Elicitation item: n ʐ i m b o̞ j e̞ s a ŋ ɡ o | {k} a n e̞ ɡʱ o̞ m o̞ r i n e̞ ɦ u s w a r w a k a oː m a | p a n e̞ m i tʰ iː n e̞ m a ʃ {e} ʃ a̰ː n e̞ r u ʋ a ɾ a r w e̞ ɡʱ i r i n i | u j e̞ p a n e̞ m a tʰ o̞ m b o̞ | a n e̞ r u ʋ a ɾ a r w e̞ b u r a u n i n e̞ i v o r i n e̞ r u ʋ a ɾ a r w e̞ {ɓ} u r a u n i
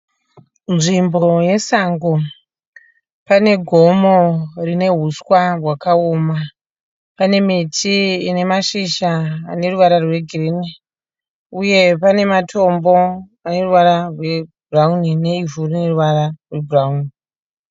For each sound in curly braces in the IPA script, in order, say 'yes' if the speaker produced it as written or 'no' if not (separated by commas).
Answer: no, no, no